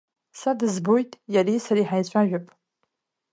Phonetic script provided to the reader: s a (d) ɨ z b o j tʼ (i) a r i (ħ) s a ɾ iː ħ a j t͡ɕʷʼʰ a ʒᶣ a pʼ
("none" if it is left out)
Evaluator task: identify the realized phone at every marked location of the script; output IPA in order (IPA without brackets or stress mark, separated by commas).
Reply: d, j, none